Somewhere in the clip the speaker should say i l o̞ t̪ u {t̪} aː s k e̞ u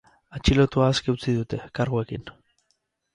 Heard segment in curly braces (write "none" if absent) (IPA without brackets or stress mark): none